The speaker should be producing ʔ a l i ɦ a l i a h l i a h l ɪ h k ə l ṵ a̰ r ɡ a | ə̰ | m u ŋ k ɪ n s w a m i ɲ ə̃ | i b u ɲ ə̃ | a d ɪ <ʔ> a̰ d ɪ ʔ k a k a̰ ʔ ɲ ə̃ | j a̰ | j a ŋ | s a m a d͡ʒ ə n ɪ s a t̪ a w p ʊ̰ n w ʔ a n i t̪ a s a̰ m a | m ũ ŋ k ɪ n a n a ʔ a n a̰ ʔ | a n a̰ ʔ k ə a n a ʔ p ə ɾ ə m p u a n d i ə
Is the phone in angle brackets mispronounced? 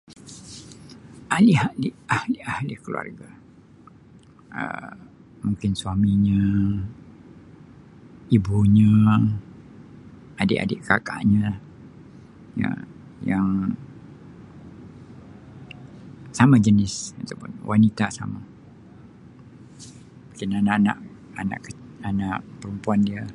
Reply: no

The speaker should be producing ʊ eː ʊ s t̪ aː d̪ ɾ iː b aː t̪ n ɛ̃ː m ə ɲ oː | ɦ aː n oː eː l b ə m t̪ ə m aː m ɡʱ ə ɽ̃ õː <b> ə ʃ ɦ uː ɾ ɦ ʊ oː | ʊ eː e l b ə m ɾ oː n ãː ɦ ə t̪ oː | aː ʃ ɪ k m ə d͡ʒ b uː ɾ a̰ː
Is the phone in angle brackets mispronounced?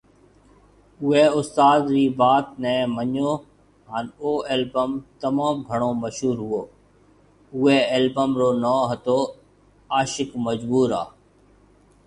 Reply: yes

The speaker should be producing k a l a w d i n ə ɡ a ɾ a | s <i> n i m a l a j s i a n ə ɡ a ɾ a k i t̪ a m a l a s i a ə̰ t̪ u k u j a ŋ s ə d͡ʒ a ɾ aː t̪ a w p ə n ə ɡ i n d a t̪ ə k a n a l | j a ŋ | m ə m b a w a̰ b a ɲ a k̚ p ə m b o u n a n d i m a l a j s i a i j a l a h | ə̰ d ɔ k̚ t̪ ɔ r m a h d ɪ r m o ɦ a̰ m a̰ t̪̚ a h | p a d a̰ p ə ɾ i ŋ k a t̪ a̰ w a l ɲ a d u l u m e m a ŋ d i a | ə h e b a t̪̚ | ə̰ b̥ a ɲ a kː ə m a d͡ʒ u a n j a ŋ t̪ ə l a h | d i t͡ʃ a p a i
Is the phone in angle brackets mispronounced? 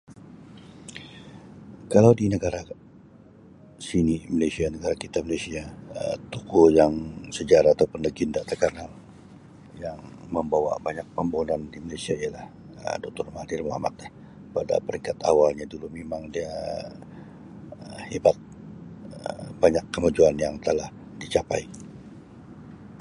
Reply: no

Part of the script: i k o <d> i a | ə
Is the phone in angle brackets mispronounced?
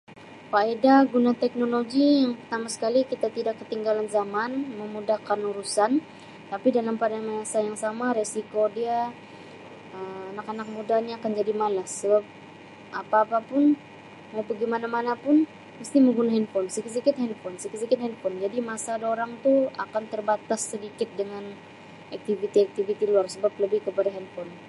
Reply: no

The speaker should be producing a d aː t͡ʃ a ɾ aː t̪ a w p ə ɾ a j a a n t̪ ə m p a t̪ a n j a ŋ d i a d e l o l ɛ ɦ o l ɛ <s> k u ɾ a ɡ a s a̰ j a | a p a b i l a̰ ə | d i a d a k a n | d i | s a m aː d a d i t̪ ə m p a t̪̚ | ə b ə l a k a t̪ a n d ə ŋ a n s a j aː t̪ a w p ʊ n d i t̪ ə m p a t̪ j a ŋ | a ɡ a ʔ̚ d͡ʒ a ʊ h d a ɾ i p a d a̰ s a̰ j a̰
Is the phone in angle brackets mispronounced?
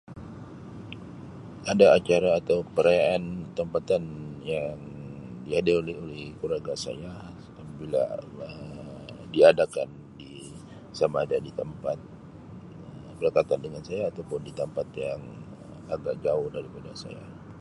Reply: yes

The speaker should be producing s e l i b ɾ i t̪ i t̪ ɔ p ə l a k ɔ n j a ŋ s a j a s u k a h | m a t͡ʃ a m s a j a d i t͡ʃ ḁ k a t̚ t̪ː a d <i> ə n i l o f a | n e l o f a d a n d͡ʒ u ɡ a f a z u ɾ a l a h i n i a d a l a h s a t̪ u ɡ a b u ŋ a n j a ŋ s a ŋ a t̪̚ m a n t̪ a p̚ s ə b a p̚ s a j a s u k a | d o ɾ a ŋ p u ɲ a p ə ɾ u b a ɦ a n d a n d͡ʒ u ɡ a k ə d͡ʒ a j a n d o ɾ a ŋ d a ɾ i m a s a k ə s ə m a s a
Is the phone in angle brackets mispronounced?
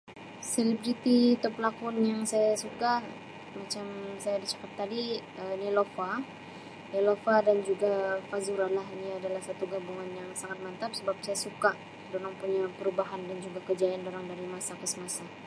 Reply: no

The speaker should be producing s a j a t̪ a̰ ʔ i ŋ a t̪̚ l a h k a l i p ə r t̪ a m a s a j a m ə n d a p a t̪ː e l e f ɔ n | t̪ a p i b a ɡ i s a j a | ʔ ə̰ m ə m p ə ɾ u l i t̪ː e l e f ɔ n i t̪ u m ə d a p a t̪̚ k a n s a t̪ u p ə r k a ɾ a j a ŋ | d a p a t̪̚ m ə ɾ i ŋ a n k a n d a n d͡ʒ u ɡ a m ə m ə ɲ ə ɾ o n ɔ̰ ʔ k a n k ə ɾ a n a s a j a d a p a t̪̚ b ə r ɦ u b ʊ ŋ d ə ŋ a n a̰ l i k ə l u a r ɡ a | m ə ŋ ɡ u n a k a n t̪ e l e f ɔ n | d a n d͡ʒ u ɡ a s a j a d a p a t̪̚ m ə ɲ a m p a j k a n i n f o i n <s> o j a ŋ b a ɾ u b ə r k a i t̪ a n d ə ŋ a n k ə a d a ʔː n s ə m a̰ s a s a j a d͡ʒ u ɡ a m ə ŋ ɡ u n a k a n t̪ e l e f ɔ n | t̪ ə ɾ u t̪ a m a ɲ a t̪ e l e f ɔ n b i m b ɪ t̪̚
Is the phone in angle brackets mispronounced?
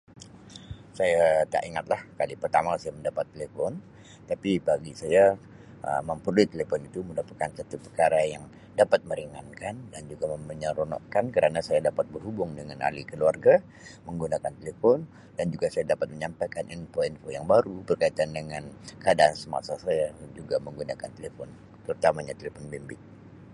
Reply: yes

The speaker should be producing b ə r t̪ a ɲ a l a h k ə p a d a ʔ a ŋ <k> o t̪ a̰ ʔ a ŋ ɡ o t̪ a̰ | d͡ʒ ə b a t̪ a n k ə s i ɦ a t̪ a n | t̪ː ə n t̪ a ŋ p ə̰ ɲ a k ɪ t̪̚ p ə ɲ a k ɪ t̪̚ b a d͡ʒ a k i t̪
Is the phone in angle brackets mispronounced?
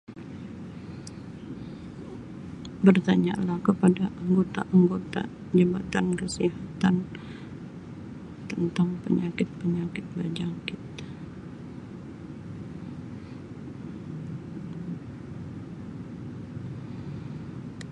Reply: yes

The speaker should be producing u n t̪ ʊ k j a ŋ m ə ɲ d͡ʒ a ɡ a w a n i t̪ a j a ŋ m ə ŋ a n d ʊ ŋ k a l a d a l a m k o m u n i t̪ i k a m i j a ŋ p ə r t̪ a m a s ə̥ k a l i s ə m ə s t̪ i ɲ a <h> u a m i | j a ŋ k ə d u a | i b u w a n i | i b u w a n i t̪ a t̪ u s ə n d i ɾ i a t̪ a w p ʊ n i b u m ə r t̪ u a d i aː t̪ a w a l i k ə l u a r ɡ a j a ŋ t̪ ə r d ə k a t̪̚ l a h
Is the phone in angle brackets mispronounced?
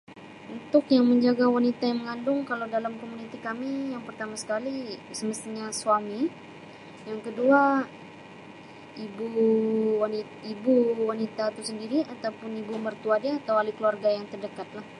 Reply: yes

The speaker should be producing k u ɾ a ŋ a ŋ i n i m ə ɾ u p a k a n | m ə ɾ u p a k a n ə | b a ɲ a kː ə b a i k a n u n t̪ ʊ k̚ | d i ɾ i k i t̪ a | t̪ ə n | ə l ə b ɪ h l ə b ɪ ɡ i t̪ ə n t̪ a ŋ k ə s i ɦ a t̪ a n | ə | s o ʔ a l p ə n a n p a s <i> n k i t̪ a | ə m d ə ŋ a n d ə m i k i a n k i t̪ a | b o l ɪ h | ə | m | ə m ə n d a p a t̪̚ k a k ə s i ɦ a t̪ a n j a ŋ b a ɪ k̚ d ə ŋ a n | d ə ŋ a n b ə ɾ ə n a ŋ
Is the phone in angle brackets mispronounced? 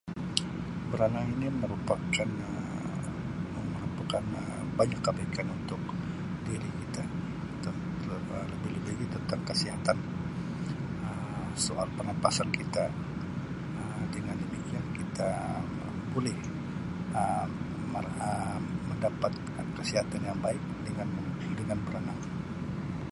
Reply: yes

